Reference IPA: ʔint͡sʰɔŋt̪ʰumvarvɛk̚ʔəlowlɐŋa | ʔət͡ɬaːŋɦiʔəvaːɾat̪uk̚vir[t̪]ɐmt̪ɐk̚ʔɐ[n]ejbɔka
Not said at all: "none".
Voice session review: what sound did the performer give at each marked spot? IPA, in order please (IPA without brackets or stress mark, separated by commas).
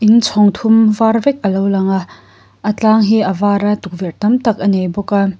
t̪, n